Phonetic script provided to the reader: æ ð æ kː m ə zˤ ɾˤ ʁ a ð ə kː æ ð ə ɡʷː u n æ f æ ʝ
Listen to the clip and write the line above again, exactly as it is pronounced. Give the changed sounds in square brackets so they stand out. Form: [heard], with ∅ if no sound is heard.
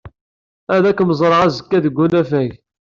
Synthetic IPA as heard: æ ð æ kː m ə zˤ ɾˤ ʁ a [z] ə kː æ ð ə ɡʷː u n æ f æ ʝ